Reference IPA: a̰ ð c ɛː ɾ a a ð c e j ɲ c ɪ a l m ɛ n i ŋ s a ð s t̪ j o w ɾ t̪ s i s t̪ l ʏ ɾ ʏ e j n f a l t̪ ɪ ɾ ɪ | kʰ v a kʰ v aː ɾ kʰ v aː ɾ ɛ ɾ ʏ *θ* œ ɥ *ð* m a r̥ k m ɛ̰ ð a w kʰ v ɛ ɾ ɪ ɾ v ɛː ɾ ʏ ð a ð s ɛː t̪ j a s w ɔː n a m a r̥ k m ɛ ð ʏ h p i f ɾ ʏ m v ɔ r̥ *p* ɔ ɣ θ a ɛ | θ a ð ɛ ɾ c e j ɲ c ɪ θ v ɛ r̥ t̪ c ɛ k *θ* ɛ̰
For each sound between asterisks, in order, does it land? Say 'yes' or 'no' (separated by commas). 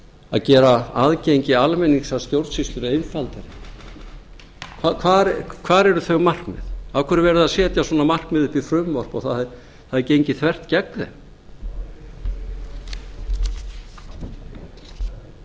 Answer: yes, no, yes, no